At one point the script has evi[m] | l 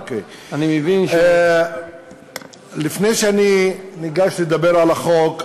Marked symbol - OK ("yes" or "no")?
no